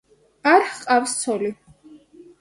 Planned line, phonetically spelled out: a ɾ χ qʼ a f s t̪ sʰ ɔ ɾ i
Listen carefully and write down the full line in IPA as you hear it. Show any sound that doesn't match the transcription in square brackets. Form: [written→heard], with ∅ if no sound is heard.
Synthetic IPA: a ɾ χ qʼ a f s t̪ sʰ ɔ [ɾ→l] i